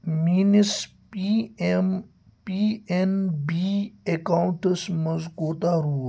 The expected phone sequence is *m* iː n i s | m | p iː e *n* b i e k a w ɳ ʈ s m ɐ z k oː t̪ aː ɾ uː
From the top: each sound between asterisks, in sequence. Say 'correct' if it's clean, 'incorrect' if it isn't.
correct, correct

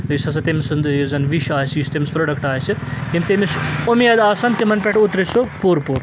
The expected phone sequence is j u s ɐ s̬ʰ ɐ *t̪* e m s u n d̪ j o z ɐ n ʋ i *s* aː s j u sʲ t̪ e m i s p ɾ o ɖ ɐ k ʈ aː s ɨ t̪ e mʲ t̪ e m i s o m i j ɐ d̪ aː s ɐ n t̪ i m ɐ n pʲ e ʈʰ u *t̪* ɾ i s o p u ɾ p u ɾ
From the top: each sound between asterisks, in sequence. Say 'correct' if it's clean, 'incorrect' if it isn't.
correct, incorrect, correct

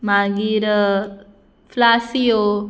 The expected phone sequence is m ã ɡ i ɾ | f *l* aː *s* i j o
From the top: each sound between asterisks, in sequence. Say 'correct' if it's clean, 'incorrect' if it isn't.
correct, correct

